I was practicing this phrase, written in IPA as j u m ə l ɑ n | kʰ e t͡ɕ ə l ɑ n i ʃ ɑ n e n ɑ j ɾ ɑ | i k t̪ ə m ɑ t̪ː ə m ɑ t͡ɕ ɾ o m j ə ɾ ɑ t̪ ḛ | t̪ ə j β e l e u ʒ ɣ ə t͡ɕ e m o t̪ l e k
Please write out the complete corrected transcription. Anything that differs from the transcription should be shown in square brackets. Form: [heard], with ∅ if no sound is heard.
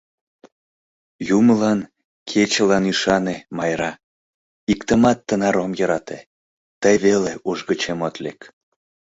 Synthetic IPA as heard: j u m ə l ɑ n | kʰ e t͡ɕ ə l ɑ n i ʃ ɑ n e [m] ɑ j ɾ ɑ | i k t̪ ə m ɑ t̪ː ə [n] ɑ [∅] ɾ o m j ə ɾ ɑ t̪ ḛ | t̪ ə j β e l e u ʒ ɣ ə t͡ɕ e m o t̪ l e k

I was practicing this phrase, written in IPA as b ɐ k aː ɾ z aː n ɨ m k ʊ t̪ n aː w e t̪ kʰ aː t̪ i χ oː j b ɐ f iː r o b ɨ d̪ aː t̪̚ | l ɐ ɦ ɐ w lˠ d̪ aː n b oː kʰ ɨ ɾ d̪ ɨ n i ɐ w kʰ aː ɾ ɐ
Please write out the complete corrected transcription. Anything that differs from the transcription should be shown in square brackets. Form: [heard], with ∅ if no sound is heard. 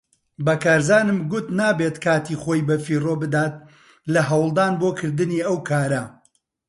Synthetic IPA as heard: b ɐ k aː ɾ z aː n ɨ m [ɡ] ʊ t̪ n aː [b] e t̪ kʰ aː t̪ i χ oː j b ɐ f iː r o b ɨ d̪ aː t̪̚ | l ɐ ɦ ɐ w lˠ d̪ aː n b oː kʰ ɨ ɾ d̪ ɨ n i ɐ w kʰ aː ɾ ɐ

